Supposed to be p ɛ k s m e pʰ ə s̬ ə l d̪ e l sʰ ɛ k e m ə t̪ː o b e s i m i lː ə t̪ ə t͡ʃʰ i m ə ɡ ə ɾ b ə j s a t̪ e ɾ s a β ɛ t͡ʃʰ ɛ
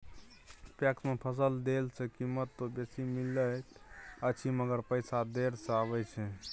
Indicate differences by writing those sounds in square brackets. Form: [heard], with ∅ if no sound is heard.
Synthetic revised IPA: p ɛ k s m e pʰ ə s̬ ə l d̪ e l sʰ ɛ k [i] m ə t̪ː o b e s i m i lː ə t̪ ə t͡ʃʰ i m ə ɡ ə ɾ [p] ə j s a [d̪] e ɾ s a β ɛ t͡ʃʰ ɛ